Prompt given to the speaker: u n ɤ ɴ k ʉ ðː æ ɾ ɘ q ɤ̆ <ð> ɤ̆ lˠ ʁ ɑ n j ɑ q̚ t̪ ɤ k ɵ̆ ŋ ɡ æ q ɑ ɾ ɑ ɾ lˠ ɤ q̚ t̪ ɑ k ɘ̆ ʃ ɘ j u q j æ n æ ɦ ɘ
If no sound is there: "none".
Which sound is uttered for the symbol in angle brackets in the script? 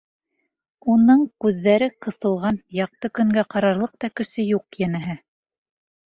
θ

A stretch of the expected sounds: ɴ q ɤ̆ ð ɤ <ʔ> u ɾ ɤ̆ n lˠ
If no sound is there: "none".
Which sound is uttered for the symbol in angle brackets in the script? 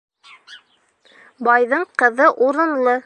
ʔ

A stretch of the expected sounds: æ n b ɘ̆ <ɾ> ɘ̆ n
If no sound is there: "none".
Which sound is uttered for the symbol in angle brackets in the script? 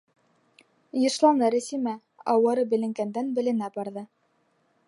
l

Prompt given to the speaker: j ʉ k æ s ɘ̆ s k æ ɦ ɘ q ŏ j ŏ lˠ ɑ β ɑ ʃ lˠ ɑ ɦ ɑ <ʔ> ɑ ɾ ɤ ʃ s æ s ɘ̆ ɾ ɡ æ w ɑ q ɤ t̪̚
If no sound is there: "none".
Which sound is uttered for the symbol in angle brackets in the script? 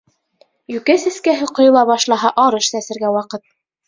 ʔ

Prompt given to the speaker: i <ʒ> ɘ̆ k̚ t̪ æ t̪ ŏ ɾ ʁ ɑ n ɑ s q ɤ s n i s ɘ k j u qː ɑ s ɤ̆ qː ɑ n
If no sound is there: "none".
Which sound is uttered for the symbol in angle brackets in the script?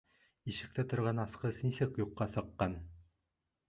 ʃ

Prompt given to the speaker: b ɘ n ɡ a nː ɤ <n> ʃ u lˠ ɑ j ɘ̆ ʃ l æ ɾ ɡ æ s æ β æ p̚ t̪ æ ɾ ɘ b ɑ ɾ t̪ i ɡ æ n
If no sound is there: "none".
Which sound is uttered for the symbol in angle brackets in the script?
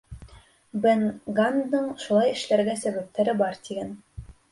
ɴ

